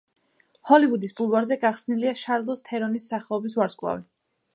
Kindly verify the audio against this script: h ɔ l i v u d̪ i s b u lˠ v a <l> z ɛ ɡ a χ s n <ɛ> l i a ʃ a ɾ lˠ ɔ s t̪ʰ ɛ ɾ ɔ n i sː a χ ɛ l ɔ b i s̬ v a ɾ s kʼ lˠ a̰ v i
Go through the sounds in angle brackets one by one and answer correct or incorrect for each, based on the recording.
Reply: incorrect: ɾ, incorrect: i

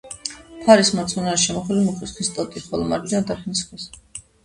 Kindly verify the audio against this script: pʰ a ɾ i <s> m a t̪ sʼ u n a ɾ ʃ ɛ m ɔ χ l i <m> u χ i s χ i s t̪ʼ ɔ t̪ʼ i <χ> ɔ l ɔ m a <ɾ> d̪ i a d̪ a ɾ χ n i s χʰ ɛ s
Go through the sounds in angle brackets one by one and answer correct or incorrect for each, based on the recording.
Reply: correct, correct, correct, correct

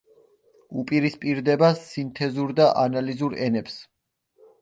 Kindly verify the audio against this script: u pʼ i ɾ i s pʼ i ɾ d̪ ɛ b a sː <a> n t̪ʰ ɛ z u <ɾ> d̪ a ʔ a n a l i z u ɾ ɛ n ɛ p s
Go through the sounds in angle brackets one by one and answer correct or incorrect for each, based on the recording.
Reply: incorrect: i, correct

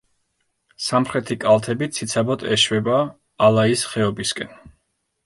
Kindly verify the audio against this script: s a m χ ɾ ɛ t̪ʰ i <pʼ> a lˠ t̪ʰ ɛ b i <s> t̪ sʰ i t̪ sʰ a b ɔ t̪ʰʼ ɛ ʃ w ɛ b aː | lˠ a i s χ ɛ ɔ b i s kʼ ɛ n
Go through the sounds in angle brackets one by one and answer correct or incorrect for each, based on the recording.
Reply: incorrect: kʼ, incorrect: none

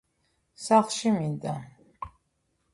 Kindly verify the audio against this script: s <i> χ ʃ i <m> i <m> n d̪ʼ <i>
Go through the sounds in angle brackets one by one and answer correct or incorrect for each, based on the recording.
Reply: incorrect: a, correct, incorrect: none, incorrect: a

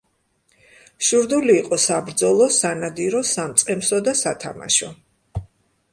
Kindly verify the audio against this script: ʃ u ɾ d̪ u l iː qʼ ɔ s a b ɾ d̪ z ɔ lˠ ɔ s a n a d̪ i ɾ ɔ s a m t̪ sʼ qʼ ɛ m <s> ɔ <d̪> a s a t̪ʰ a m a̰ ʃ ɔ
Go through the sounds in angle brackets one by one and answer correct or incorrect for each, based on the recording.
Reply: correct, correct

